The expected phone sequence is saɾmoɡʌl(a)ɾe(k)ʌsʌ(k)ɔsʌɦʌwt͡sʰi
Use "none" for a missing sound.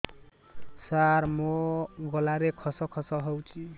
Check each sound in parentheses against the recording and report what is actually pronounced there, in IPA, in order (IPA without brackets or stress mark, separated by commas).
a, kʰ, kʰ